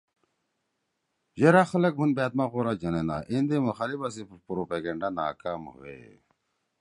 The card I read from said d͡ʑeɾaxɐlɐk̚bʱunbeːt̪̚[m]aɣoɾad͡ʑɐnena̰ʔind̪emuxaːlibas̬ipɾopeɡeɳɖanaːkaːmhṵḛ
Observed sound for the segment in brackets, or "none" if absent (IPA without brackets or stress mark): m